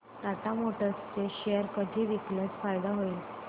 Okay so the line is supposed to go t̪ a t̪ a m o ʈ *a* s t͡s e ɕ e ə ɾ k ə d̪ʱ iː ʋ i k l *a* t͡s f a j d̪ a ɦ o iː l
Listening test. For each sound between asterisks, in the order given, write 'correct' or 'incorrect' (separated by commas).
incorrect, incorrect